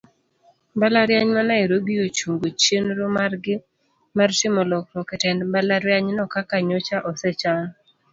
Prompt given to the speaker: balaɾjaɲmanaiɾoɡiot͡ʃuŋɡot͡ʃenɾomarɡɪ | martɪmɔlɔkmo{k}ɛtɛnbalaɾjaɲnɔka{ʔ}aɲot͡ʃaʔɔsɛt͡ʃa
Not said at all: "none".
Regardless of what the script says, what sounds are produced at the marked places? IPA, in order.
k, k

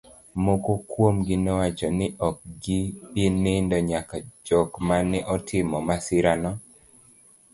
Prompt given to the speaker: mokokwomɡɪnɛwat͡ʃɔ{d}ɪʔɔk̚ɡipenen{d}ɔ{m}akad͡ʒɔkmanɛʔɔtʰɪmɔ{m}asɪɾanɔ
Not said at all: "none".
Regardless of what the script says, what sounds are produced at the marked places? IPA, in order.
n, d, ɲ, m

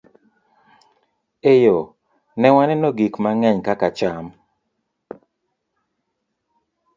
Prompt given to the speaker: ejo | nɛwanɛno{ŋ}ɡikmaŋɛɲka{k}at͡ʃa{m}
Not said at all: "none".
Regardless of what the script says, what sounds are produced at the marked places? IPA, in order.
none, k, m

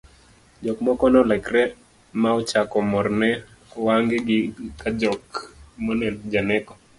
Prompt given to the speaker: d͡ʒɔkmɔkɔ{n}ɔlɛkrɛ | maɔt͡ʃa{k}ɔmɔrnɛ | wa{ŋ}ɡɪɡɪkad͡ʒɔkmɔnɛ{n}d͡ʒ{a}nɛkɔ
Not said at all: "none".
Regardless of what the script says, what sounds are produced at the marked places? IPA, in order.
n, k, ŋ, n, a

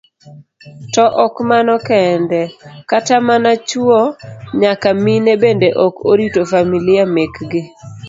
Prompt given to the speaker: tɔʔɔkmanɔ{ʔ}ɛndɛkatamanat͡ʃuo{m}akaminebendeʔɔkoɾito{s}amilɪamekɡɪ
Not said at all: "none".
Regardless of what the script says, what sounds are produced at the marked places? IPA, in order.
k, ɲ, f

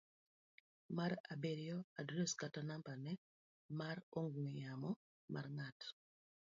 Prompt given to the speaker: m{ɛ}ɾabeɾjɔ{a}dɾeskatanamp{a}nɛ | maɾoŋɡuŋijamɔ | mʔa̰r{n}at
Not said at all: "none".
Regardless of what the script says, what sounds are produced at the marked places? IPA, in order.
a, a, a, ŋ

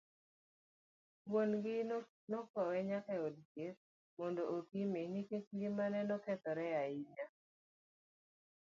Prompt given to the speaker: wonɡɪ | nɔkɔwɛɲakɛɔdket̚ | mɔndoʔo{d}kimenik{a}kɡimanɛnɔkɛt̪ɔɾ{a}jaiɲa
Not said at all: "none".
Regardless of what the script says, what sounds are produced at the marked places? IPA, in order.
none, e, ɛ

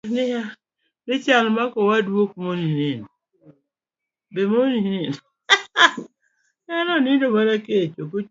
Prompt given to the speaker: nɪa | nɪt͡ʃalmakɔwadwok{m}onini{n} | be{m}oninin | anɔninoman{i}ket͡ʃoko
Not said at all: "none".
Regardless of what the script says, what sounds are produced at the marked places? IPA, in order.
m, n, m, a

